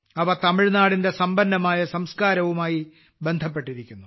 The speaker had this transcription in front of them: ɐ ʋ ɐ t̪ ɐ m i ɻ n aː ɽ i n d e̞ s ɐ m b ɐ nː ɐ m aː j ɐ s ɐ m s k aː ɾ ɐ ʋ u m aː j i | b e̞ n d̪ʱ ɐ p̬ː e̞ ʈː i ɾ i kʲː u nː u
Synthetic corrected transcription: ɐ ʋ ɐ t̪ ɐ m i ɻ n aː ɽ i n d e̞ s ɐ m b ɐ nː ɐ m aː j ɐ s ɐ m s k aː ɾ ɐ ʋ u m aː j i | b e̞ n d̪ʱ ɐ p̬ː e̞ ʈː i ɾ i kʲː u nː u

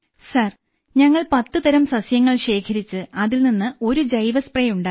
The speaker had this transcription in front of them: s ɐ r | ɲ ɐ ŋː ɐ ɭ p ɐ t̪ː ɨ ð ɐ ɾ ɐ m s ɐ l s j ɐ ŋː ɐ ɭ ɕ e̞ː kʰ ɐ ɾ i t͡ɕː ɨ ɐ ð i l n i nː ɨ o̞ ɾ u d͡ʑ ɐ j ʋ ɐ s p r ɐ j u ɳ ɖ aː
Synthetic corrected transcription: s ɐ r | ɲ ɐ ŋː ɐ ɭ p ɐ t̪ː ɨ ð ɐ ɾ ɐ m s ɐ s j ɐ ŋː ɐ ɭ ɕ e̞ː kʰ ɐ ɾ i t͡ɕː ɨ ɐ ð i l n i nː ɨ o̞ ɾ u d͡ʑ ɐ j ʋ ɐ s p r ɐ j u ɳ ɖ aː

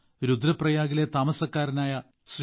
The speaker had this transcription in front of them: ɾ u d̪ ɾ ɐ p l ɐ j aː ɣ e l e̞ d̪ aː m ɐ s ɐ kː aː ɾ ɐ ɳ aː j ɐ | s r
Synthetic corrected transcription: ɾ u d̪ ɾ ɐ p r ɐ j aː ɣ i l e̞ t̪ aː m ɐ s ɐ kː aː ɾ ɐ n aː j ɐ | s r

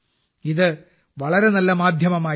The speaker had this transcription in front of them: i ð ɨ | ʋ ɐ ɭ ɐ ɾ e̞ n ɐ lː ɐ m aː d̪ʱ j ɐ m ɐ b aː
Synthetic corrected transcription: i ð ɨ | ʋ ɐ ɭ ɐ ɾ e̞ n ɐ lː ɐ m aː d̪ʱ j ɐ m ɐ m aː

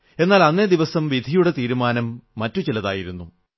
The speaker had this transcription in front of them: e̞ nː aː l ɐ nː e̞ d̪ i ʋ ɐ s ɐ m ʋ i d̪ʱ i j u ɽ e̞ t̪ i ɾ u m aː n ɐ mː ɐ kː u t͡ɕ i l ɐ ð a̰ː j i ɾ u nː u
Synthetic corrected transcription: e̞ nː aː l ɐ nː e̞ d̪ i ʋ ɐ s ɐ m ʋ i d̪ʱ i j u ɽ e̞ t̪ iː ɾ u m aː n ɐ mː ɐ tː u t͡ɕ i l ɐ ð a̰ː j i ɾ u nː u

